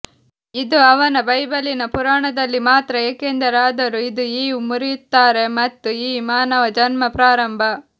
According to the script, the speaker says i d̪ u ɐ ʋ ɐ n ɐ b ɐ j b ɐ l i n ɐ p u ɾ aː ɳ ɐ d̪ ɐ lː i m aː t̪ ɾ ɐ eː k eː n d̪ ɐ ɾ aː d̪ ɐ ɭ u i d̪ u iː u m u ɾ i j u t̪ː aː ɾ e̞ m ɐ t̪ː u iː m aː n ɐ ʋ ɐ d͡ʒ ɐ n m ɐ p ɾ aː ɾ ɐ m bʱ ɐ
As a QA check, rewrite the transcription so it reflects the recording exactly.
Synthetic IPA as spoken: i d̪ u ɐ ʋ ɐ n ɐ b ɐ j b ɐ l i n ɐ p u ɾ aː ɳ ɐ d̪ ɐ lː i m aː t̪ ɾ ɐ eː k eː n d̪ ɐ ɾ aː d̪ ɐ ɾ u i d̪ u iː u m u ɾ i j u t̪ː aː ɾ e̞ m ɐ t̪ː u iː m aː n ɐ ʋ ɐ d͡ʒ ɐ n m ɐ p ɾ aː ɾ ɐ m bʱ ɐ